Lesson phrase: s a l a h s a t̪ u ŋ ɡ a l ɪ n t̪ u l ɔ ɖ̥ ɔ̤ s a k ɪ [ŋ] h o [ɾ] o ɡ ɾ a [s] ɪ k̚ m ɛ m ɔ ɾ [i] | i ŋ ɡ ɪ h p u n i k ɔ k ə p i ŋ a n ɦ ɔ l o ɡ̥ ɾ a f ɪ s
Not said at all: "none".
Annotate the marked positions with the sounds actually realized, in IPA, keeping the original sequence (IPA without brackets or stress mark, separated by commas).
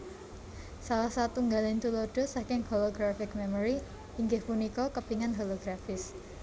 ŋ, l, f, i